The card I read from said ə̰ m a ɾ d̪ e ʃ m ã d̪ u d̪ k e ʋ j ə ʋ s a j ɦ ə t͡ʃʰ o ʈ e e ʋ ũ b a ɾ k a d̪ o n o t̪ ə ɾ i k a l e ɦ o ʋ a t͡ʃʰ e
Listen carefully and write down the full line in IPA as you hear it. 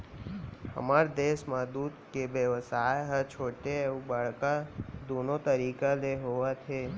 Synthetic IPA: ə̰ m a ɾ d̪ e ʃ m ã d̪ u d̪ k e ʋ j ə ʋ s a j ɦ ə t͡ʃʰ o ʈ e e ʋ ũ b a ɭ k a d̪ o n o t̪ ə ɾ i k a l e ɦ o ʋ a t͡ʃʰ e